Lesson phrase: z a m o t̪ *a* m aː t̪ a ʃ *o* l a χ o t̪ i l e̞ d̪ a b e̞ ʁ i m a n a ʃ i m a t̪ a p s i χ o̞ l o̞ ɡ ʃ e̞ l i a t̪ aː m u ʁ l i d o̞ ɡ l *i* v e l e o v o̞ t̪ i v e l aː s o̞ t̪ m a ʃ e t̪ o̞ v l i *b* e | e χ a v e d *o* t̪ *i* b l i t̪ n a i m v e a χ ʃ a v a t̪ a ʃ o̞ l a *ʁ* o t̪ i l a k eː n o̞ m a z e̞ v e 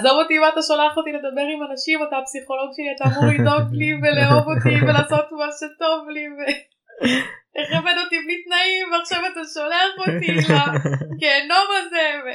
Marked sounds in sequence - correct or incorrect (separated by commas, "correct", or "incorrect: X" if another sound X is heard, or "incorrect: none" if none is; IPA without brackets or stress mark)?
incorrect: i, correct, correct, incorrect: v, correct, correct, incorrect: χ